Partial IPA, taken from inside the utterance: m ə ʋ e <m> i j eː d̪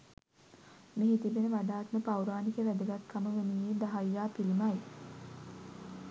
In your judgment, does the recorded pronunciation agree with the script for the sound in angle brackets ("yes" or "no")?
no